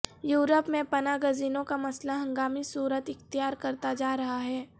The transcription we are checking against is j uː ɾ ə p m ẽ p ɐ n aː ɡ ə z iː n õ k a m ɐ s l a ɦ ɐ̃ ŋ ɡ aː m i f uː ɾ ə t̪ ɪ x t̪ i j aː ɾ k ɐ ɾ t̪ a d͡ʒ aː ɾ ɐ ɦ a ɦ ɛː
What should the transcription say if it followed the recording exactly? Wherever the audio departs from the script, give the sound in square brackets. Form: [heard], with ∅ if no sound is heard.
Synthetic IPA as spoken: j uː ɾ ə p m ẽ p ɐ n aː ɡ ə z iː n õ k a m ɐ s l a ɦ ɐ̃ ŋ ɡ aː m i [s] uː ɾ ə t̪ ɪ x t̪ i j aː ɾ k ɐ ɾ t̪ a d͡ʒ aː ɾ ɐ ɦ a ɦ ɛː